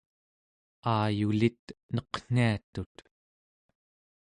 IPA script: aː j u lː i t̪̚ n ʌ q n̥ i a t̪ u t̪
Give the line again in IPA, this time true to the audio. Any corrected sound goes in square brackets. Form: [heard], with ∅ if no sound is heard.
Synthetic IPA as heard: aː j u [l] i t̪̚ n ʌ q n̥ i a t̪ u t̪